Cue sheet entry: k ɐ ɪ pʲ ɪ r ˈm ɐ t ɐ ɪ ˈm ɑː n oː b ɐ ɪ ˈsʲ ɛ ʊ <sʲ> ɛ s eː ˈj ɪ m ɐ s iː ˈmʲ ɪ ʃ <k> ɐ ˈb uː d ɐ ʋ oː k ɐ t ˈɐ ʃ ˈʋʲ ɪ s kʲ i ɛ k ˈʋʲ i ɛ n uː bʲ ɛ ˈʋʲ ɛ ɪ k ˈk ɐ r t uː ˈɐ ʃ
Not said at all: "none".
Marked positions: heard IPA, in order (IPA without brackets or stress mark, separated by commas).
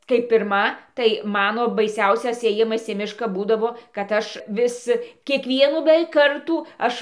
sʲ, k